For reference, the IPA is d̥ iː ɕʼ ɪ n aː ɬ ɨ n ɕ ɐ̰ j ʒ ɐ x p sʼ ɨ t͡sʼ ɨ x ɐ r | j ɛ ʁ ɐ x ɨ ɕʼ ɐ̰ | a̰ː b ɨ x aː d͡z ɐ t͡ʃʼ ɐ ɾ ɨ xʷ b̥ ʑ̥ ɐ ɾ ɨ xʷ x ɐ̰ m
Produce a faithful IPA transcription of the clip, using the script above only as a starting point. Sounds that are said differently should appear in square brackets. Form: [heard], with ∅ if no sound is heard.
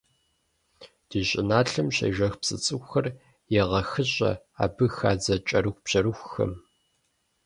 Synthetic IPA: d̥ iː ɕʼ ɪ n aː ɬ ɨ [m] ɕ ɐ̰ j ʒ ɐ x p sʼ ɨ t͡sʼ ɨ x ɐ r | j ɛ ʁ ɐ x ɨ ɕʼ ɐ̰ | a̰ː b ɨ x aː d͡z ɐ t͡ʃʼ ɐ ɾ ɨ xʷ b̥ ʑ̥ ɐ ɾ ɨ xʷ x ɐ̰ m